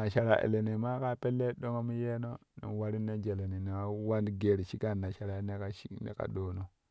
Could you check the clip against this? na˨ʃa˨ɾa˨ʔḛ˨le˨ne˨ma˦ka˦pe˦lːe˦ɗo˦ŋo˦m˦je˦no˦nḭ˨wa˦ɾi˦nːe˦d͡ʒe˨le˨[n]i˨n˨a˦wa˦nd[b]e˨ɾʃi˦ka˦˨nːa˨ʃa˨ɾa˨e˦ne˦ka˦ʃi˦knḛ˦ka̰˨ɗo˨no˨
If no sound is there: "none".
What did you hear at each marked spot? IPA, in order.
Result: n, ɡ

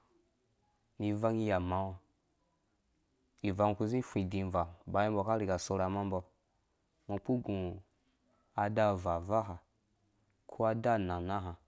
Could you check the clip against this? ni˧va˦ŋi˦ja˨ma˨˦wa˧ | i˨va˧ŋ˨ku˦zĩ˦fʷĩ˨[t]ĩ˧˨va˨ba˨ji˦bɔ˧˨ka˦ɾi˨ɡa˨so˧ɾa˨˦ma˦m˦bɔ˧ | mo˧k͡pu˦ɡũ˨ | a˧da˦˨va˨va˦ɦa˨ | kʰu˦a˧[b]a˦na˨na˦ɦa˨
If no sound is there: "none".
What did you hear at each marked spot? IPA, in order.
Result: d, d

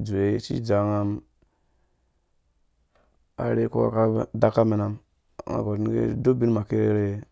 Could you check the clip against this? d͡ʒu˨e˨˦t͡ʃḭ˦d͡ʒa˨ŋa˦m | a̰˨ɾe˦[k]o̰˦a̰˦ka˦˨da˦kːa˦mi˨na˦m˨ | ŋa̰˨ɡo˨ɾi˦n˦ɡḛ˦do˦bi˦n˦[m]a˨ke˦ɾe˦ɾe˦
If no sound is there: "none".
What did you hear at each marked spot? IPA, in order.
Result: k, m

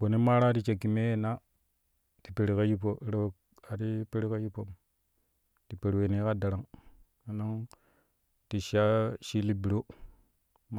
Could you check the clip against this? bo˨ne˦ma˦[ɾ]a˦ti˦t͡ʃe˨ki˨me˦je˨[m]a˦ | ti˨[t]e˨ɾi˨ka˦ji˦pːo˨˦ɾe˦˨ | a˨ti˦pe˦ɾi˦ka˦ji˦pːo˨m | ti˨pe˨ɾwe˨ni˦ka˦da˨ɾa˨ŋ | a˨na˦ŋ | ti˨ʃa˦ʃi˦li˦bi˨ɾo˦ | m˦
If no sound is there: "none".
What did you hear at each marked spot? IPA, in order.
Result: ɾ, n, p

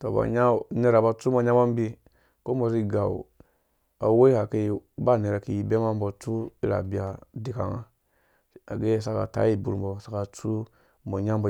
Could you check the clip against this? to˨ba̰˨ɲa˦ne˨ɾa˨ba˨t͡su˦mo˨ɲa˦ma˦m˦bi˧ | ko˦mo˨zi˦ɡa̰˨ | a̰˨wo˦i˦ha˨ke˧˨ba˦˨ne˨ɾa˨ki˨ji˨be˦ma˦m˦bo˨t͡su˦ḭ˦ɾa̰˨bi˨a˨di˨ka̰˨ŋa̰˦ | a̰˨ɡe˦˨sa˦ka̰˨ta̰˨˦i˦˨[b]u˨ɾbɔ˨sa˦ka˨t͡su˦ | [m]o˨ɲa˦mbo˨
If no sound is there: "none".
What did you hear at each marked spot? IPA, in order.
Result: b, m

